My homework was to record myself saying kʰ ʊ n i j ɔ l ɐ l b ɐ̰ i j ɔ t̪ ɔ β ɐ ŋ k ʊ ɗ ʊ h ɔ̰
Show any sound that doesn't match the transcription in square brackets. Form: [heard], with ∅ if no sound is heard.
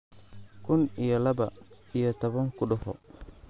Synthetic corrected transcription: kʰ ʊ n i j ɔ l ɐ [∅] b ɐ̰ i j ɔ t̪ ɔ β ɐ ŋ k ʊ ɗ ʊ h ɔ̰